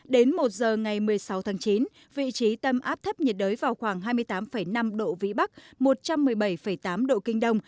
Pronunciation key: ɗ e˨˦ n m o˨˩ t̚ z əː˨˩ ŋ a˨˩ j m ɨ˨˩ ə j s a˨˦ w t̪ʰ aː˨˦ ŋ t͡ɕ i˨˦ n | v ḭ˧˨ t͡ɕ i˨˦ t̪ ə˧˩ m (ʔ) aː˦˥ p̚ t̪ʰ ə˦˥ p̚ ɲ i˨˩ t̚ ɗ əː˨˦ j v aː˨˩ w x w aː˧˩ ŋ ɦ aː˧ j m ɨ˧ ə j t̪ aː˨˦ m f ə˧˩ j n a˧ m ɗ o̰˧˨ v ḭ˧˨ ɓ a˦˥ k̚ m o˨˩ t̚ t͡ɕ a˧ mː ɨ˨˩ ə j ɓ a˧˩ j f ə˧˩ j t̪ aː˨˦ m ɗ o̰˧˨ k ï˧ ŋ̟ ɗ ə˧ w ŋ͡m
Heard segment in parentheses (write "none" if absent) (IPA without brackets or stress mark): ʔ